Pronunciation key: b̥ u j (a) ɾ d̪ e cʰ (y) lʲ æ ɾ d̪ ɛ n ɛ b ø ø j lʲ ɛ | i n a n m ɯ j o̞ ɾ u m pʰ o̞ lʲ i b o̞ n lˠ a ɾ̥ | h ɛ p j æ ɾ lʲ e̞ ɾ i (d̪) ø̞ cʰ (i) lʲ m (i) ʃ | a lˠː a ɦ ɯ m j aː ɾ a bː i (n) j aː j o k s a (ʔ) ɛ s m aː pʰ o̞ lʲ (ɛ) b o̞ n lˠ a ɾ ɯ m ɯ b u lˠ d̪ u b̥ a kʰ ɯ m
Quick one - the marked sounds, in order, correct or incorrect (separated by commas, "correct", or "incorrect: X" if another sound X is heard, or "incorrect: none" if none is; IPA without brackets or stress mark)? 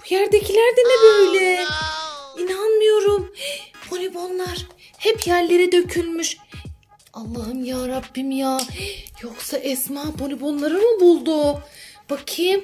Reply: incorrect: æ, incorrect: i, correct, incorrect: y, incorrect: y, incorrect: m, correct, incorrect: i